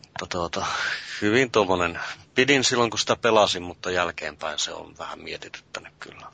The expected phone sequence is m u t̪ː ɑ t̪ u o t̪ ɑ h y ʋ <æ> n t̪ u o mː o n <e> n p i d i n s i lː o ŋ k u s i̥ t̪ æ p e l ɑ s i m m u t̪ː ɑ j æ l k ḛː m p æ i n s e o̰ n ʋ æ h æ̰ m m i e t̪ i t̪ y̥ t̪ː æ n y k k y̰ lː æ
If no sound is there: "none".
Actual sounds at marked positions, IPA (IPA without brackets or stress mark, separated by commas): i, e